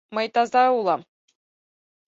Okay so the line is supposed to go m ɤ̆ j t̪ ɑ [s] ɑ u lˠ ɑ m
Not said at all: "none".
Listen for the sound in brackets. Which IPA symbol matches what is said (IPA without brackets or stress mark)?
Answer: z